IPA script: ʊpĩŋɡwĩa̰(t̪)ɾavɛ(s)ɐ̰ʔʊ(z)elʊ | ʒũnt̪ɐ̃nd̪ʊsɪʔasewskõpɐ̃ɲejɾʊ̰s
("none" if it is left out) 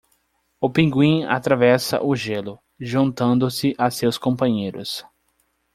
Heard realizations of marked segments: t̪, s, ʒ

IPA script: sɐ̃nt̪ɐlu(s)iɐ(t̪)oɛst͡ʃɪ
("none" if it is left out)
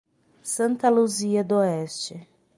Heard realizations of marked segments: z, d̪

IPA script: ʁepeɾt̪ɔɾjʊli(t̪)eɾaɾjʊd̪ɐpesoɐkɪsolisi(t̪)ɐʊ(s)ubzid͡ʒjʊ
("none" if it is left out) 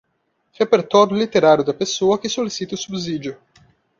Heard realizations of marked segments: t̪, t̪, s

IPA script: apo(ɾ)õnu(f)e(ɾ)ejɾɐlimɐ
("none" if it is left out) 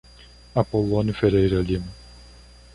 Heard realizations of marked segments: l, f, ɾ

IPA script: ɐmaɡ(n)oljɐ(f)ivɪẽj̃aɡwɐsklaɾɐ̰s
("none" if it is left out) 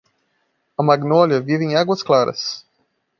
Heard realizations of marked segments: n, v

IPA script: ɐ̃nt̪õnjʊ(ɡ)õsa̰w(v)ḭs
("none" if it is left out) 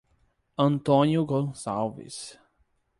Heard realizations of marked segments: ɡ, v

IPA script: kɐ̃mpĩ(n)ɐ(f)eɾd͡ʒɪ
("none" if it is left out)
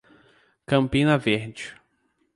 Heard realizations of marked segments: n, v

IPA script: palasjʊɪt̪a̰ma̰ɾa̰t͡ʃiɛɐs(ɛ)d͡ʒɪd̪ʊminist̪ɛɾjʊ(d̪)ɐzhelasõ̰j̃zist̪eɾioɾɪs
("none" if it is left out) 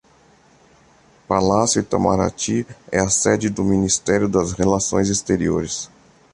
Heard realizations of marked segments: ɛ, d̪

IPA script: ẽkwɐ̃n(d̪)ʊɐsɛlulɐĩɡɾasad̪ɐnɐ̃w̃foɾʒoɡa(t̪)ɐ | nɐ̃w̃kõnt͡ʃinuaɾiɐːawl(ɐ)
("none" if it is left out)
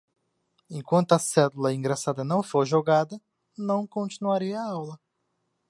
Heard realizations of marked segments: t̪, d̪, ɐ

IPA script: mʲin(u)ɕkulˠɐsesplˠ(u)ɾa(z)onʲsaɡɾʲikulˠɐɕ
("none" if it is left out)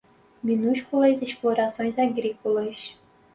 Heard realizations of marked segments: u, o, s

